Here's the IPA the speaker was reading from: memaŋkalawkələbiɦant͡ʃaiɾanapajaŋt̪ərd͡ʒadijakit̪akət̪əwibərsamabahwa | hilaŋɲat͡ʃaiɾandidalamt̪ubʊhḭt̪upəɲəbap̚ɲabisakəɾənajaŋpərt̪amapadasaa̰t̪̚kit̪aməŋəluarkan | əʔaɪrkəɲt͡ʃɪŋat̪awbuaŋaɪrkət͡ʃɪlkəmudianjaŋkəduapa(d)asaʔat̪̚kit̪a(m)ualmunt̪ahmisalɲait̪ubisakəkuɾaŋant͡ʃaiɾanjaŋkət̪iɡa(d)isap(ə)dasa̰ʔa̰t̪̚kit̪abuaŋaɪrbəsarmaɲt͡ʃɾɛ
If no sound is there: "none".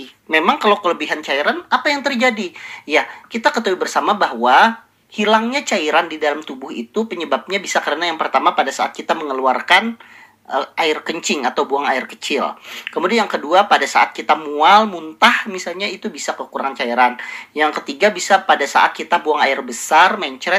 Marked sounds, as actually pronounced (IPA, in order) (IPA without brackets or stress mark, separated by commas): d, m, b, a